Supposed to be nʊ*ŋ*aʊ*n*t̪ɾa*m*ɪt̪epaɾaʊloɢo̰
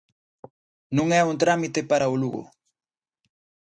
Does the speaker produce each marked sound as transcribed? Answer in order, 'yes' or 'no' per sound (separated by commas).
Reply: yes, yes, yes